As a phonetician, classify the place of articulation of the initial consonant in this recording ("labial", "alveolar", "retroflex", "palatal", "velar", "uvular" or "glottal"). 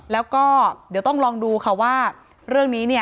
alveolar